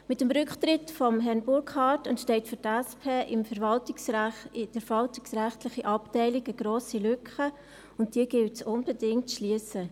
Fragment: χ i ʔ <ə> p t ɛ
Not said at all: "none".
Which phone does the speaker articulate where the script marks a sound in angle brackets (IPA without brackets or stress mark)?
ɑ